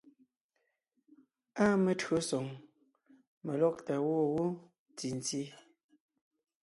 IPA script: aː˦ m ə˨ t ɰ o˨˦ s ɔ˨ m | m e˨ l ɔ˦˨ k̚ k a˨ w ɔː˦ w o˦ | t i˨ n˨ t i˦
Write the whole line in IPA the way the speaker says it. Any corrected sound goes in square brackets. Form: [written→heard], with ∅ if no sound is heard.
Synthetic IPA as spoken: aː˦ m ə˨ t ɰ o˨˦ s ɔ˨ [m→ŋ] | m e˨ l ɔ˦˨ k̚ [k→t] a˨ w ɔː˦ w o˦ | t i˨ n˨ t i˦